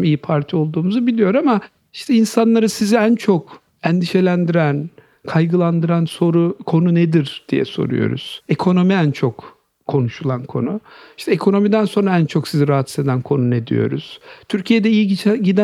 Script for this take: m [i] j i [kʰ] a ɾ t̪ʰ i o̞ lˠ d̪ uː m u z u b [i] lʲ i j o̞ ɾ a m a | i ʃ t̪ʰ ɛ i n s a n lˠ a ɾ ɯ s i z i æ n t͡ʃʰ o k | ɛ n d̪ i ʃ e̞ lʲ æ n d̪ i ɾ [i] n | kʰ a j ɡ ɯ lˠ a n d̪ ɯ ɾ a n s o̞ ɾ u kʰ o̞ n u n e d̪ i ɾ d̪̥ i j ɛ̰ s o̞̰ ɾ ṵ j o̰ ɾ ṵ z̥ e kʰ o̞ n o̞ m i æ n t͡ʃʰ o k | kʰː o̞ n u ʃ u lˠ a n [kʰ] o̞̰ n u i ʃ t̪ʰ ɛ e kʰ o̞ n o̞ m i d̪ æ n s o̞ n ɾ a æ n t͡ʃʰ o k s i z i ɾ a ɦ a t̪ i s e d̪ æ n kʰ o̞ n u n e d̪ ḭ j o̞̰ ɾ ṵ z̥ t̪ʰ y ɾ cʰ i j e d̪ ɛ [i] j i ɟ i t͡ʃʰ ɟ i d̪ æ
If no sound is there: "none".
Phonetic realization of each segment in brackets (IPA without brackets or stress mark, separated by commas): i, pʰ, i, æ, kʰ, i